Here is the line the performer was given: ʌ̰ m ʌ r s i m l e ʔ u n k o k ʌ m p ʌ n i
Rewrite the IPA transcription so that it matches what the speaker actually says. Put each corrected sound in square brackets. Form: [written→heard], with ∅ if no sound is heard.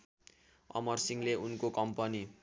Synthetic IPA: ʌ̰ m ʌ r s i [m→ŋ] l e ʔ u n k o k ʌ m p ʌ n i